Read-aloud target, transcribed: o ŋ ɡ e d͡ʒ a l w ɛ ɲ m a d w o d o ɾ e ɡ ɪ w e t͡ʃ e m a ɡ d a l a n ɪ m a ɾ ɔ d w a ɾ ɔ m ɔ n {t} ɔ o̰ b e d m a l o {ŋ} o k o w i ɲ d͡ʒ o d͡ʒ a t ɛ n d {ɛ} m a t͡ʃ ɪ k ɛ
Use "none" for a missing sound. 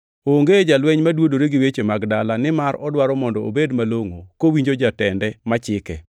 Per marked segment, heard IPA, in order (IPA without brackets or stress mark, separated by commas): d, ŋ, ɛ